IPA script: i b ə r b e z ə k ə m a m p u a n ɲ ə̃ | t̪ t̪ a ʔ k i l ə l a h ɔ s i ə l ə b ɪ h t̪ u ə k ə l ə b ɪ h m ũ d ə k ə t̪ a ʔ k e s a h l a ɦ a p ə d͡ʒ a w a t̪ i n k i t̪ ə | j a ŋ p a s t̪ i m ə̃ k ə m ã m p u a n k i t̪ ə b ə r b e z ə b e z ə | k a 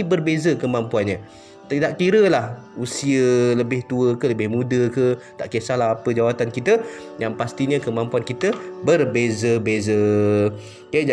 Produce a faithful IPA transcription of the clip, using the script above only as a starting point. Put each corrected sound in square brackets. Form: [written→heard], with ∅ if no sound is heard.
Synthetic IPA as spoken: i b ə r b e z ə k ə m a m p u a n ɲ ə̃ | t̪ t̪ a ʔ k i [l→ɾ] ə l a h [ɔ→u] s i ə l ə b ɪ h t̪ u ə k ə l ə b ɪ h m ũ d ə k ə t̪ a ʔ k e s a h l a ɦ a p ə d͡ʒ a w a t̪ [i→a] n k i t̪ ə | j a ŋ p a s t̪ i [m→ɲ] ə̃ k ə m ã m p u a n k i t̪ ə b ə r b e z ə b e z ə | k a